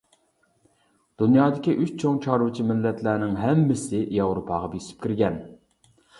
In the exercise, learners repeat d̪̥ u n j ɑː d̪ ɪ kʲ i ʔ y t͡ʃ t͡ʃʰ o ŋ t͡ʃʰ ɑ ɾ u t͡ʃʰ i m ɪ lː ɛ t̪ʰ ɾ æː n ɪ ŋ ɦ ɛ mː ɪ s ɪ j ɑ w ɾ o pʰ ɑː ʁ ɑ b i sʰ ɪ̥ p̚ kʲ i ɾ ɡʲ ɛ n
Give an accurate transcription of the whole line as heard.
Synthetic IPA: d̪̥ u n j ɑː d̪ ɪ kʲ i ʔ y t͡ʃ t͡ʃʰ o ŋ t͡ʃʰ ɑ ɾ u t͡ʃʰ i m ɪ lː ɛ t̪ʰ l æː n ɪ ŋ ɦ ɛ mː ɪ s ɪ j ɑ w ɾ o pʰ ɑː ʁ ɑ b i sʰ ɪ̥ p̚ kʲ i ɾ ɡʲ ɛ n